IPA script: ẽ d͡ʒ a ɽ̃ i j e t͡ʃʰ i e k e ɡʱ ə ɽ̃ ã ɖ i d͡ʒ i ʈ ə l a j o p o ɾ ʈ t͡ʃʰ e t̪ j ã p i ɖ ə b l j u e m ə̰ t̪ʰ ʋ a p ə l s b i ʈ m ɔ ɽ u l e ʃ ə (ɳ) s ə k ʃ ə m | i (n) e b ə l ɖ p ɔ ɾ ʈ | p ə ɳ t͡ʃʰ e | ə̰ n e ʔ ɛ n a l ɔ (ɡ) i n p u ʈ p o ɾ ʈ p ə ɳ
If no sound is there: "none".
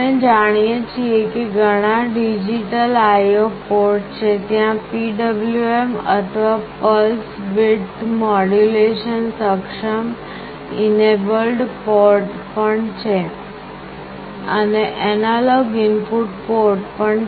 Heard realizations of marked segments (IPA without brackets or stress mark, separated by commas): n, n, ɡ